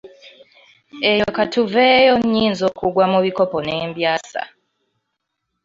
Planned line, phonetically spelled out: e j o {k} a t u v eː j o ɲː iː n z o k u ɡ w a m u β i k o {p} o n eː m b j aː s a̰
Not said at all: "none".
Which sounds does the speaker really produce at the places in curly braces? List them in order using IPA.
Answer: k, p

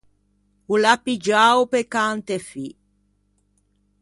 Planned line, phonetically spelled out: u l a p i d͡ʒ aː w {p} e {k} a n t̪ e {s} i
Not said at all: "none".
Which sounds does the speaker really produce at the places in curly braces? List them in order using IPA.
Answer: p, k, f

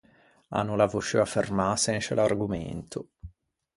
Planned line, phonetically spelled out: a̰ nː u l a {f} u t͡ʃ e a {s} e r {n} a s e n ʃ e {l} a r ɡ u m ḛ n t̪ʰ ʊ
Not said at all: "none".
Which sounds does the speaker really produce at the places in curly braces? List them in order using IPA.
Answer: v, f, m, l

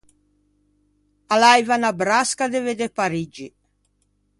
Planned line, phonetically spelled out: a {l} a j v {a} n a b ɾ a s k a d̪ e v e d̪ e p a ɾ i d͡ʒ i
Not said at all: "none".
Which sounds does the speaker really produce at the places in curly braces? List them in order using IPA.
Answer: l, a

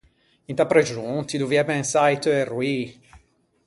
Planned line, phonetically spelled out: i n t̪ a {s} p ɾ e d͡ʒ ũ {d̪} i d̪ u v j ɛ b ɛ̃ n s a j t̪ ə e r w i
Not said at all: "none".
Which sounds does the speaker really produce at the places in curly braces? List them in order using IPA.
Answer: none, t̪

